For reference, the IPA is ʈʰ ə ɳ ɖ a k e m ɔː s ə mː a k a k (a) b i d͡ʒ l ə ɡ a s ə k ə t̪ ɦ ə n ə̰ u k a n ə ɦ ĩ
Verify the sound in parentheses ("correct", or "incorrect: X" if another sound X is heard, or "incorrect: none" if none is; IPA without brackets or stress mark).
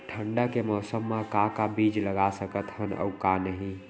correct